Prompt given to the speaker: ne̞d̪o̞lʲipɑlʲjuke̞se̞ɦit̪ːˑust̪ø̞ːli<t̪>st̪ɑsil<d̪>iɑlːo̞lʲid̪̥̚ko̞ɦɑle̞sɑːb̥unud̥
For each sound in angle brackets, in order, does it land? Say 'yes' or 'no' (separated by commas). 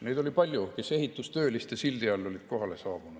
no, yes